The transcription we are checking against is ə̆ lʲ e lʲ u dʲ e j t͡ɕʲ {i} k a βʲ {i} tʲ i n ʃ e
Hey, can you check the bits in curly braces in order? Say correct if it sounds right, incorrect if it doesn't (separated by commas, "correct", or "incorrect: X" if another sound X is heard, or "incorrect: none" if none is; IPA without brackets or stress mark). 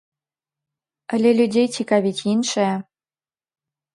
correct, correct